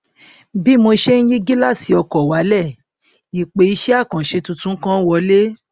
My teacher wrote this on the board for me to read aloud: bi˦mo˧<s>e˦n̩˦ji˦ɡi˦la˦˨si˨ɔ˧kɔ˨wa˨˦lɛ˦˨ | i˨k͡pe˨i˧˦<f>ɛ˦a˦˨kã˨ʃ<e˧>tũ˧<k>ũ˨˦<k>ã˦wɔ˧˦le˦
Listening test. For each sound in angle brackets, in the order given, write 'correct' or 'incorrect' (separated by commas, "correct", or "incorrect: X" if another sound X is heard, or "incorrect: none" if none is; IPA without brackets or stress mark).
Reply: incorrect: ʃ, incorrect: ʃ, correct, incorrect: t, correct